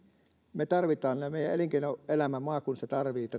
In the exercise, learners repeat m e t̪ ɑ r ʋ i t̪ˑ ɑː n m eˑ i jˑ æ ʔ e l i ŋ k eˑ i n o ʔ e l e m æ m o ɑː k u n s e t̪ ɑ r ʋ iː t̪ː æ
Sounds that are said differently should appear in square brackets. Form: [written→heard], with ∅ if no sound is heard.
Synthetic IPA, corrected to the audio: m e t̪ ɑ r ʋ i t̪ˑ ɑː n m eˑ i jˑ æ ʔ e l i ŋ k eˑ i n o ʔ e l [e→æ] m æ m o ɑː k u n s e t̪ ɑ r ʋ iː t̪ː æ